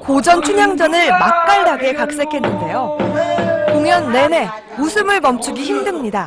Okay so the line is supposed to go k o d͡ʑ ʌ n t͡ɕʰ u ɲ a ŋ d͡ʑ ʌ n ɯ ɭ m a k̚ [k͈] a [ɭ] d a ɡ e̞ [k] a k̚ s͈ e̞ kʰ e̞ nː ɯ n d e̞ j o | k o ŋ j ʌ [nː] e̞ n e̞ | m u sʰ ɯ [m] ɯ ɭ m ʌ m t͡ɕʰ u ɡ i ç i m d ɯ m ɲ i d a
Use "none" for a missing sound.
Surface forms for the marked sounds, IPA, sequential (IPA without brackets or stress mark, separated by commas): k͈, ɭ, k, nː, m